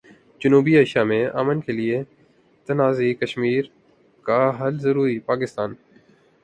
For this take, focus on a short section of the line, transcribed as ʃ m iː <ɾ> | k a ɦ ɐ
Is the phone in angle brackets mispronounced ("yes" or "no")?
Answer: no